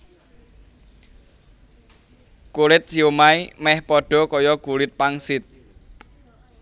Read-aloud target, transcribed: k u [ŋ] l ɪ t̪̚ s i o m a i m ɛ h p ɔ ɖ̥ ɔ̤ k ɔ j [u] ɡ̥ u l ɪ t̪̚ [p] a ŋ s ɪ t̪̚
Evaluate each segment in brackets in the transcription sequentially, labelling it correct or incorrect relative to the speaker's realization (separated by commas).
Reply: incorrect, incorrect, correct